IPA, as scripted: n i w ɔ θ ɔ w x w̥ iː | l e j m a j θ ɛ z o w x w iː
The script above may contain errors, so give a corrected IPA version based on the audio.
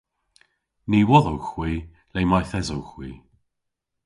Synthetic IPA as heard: n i w ɔ ð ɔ w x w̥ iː | l e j m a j θ ɛ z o w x w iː